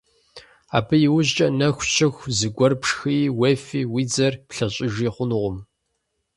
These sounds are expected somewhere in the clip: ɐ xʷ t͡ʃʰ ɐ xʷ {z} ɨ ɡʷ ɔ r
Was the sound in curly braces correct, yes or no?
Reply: yes